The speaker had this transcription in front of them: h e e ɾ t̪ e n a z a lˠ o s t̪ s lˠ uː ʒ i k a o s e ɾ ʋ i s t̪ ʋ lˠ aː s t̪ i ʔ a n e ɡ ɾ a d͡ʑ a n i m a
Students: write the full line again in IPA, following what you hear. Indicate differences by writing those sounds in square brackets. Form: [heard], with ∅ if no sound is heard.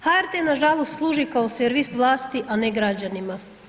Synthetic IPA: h [a] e ɾ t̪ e n a [ʒ] a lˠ o s t̪ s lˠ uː ʒ i k a o s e ɾ ʋ i s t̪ ʋ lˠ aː s t̪ i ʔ a n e ɡ ɾ a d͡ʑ a n i m a